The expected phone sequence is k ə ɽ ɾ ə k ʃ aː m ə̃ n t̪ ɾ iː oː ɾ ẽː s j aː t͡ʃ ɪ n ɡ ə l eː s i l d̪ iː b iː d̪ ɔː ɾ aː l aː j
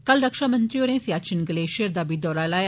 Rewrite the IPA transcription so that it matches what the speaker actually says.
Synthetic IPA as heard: k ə l ɾ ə k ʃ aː m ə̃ n t̪ ɾ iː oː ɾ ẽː s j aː t͡ʃ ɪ n ɡ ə l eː ʃ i ɾ d̪ aː b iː d̪ ɔː ɾ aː l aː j